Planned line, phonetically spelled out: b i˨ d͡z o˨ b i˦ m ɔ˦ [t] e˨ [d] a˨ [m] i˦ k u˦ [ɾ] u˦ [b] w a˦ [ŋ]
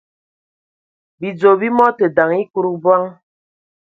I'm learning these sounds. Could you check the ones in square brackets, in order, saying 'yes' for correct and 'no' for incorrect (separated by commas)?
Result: yes, yes, no, yes, yes, yes